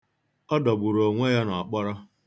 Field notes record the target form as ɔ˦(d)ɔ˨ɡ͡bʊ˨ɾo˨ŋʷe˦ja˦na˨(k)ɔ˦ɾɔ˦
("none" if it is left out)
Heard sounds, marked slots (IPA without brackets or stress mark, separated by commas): d, k͡p